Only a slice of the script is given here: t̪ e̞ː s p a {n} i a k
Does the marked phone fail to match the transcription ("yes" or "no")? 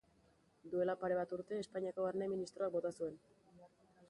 yes